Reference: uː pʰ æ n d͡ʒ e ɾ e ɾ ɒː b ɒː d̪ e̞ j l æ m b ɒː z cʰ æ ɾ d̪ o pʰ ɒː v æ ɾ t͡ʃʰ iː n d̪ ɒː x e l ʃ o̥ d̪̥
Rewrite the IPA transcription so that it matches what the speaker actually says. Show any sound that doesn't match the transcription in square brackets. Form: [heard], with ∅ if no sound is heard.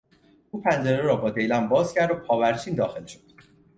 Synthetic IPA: uː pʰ æ n d͡ʒ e ɾ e ɾ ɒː b ɒː d̪ e̞ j l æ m b ɒː z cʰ æ ɾ d̪ o pʰ ɒː v æ ɾ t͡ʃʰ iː n d̪ ɒː x e l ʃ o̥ d̪̥